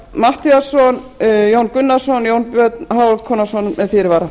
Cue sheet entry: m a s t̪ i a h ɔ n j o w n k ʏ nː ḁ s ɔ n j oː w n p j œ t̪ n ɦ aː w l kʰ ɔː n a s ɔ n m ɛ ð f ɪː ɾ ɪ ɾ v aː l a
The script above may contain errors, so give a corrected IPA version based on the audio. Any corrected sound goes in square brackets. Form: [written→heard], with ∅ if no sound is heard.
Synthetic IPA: m a [s→h] t̪ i a [h→s] ɔ n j o w n k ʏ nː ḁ s ɔ n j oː w n p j œ t̪ n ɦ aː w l kʰ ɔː n a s ɔ n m ɛ ð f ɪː ɾ ɪ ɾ v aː [l→ɾ] a

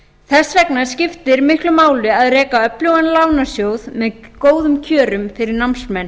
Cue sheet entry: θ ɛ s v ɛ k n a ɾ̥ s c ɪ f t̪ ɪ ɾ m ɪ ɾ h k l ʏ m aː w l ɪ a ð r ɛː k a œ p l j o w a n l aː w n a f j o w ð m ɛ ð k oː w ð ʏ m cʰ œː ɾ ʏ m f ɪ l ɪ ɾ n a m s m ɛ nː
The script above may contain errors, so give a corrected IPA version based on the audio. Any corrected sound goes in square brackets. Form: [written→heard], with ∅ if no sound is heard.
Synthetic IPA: θ ɛ s v ɛ k n a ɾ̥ s c ɪ f t̪ ɪ ɾ m ɪ [ɾ→∅] h k l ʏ m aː w l ɪ a ð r ɛː k a œ p l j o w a n l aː w n a [f→s] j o w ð m ɛ ð k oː w ð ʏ m cʰ œː ɾ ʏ m f ɪ [l→ɾ] ɪ ɾ n a m s m ɛ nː

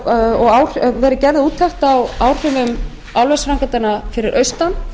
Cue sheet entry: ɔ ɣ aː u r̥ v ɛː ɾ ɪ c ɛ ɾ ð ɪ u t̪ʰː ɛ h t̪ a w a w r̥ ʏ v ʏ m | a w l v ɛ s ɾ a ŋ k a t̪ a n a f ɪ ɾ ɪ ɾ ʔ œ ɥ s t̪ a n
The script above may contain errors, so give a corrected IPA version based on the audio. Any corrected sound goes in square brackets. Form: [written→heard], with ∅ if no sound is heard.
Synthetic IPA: ɔ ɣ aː [u→w] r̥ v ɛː ɾ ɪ c ɛ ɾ ð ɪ [u→uː] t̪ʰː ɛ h t̪ a w a w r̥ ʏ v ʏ m | a w l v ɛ s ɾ a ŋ k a t̪ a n a f ɪ ɾ ɪ ɾ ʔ œ ɥ s t̪ a n

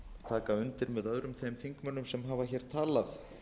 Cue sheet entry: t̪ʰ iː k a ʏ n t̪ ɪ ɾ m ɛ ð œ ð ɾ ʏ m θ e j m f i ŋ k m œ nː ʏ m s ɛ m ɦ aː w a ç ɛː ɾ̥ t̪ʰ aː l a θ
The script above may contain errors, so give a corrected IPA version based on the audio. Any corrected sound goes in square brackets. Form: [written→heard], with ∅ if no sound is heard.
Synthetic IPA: t̪ʰ [iː→aː] k a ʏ n t̪ ɪ ɾ m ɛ ð œ ð ɾ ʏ m θ e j m [f→θ] i ŋ k m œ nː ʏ m s ɛ m ɦ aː [w→v] a ç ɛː ɾ̥ t̪ʰ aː l a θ

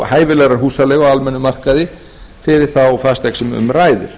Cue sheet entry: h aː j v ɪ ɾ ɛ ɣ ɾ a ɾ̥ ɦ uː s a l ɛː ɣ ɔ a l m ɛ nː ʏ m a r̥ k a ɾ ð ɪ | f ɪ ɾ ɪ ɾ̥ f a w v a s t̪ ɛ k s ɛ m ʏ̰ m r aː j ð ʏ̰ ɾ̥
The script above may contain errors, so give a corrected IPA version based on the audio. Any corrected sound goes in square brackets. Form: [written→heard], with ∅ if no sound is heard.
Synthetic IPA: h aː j v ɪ [ɾ→l] ɛ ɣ ɾ a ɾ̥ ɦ uː s a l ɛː ɣ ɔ a l m ɛ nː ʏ m a r̥ k a [ɾ→∅] ð ɪ | f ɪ ɾ ɪ ɾ̥ [f→θ] a w [v→f] a s t̪ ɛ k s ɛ m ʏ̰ m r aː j ð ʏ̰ ɾ̥

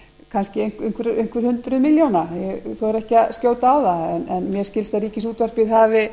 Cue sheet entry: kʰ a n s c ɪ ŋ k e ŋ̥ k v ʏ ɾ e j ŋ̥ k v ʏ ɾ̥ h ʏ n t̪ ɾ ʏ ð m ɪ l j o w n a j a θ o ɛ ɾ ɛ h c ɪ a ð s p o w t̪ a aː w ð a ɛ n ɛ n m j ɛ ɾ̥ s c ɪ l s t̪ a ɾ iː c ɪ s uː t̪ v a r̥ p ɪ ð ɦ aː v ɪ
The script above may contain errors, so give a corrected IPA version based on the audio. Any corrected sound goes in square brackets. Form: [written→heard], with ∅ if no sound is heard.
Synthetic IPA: kʰ a n s c ɪ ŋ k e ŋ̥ k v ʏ ɾ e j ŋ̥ k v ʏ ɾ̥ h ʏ n t̪ ɾ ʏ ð m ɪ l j o w n a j [a→ɛ] θ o ɛ ɾ ɛ h c ɪ a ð s [p→c] o w t̪ a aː w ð a ɛ n ɛ n m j ɛ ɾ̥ s c ɪ l s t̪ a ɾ iː c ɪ s uː t̪ v a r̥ p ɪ ð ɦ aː v ɪ

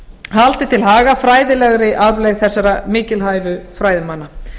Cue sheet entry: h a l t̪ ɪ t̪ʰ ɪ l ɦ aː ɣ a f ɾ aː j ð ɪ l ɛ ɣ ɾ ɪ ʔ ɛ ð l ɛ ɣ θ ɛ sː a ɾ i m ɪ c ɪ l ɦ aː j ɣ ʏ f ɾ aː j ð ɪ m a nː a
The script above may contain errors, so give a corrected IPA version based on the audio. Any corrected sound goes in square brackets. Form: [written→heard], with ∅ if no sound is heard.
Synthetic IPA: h a l t̪ ɪ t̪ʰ ɪ l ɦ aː ɣ a f ɾ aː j ð ɪ l ɛ ɣ ɾ ɪ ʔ [ɛ→a] ð l ɛ ɣ θ ɛ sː a ɾ [i→a] m [ɪ→ɪː] c ɪ l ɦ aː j [ɣ→v] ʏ f ɾ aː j ð ɪ m a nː a

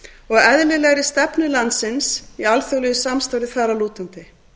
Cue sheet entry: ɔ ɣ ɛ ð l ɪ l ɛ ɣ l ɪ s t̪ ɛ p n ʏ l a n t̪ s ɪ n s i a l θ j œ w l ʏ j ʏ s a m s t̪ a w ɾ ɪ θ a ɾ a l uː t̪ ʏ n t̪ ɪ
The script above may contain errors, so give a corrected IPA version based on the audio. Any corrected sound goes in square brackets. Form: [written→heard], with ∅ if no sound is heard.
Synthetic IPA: ɔ ɣ ɛ ð l ɪ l ɛ ɣ [l→ɾ] ɪ s t̪ ɛ p n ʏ l a n t̪ s ɪ n s i a l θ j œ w l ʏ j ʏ s a m s t̪ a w ɾ ɪ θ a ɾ a l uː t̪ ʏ n t̪ ɪ

